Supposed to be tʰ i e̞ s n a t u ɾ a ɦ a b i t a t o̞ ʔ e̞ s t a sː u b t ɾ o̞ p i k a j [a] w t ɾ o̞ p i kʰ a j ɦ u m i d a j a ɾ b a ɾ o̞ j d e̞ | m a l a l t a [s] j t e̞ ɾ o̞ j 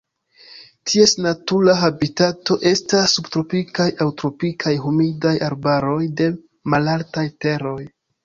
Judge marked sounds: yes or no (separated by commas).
yes, no